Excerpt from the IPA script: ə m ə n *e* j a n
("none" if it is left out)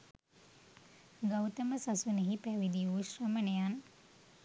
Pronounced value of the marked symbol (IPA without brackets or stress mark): e